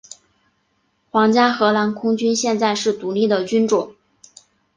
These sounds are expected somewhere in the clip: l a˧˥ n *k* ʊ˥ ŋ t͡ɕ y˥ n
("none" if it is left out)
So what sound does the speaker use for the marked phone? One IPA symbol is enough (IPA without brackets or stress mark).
kʰ